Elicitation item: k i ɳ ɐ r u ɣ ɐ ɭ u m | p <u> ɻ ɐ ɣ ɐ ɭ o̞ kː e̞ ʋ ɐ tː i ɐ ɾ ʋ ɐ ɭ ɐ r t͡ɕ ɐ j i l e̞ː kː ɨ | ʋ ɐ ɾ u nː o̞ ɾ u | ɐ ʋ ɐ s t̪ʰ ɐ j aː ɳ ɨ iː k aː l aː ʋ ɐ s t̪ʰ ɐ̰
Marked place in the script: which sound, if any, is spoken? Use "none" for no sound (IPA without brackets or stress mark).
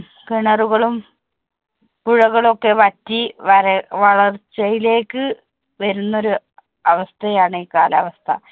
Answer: u